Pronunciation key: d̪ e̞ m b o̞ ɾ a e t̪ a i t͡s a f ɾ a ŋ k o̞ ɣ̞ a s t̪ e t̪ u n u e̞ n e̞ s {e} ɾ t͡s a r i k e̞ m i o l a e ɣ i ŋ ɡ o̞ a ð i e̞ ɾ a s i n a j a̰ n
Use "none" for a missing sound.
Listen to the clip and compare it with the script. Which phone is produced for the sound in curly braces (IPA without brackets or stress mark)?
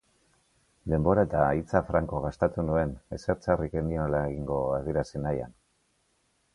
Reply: e